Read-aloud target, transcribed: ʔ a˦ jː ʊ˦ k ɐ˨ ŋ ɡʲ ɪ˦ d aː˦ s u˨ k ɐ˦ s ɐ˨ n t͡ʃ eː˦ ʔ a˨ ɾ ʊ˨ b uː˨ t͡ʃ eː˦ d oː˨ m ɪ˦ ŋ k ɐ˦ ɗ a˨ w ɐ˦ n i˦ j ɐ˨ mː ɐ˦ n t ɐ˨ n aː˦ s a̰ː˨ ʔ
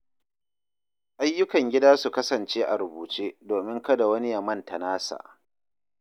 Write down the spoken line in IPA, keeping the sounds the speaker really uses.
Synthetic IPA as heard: ʔ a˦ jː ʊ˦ k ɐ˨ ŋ ɡʲ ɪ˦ d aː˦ s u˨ k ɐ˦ s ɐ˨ n t͡ʃ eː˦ ʔ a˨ ɾ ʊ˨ b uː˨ t͡ʃ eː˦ d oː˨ m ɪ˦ ŋ k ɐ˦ d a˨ w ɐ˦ n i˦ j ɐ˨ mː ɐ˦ n t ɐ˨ n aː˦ s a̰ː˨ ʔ